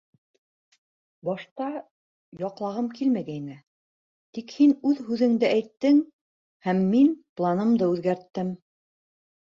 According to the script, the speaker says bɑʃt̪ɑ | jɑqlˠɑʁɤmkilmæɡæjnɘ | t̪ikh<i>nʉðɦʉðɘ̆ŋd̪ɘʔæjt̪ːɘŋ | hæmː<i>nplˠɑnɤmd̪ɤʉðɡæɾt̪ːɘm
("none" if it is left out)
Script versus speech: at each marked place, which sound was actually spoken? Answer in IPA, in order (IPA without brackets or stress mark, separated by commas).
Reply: i, i